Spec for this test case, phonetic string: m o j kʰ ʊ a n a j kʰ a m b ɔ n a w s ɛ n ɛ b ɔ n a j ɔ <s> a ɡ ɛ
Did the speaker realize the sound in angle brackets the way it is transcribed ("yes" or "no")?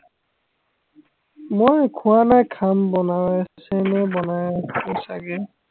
yes